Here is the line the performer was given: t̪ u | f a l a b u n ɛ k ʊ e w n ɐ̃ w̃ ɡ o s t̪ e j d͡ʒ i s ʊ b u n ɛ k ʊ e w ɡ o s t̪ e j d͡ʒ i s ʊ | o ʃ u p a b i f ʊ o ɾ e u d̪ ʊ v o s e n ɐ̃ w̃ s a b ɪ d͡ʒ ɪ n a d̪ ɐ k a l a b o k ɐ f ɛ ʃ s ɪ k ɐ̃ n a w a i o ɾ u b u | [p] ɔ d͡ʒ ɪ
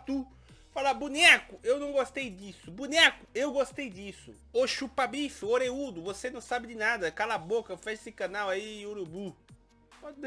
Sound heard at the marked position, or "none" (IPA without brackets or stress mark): p